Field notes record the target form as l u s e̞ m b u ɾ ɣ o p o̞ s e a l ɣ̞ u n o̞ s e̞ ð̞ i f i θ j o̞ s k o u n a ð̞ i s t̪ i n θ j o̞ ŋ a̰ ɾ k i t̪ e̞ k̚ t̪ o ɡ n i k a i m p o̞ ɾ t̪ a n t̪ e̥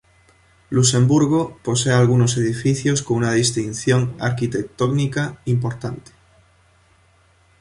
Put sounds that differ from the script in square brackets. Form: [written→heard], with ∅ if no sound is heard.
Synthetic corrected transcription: l u s e̞ m b u ɾ ɣ o p o̞ s e a l ɣ̞ u n o̞ s e̞ ð̞ i f i θ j o̞ s k o u n a ð̞ i s t̪ i n θ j o̞ ŋ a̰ ɾ k i t̪ e̞ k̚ t̪ o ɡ n i k a i m p o̞ ɾ t̪ a n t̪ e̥